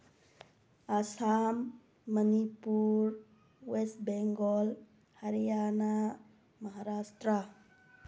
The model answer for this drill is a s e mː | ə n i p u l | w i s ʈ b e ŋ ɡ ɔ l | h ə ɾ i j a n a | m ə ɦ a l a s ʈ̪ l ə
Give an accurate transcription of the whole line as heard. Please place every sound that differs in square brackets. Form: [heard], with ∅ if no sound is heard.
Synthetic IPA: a s [a] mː | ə n i p u [ɾ] | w [e] s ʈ b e ŋ ɡ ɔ l | h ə ɾ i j a n a | m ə ɦ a [ɾ] a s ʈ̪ [ɾ] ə